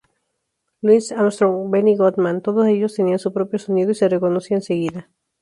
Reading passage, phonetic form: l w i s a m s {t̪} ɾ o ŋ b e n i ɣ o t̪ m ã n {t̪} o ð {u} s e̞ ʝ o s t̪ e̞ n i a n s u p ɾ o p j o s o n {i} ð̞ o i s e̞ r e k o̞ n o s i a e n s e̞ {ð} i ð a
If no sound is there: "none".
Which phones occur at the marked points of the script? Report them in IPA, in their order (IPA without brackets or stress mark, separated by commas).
t̪, t̪, o, i, ɣ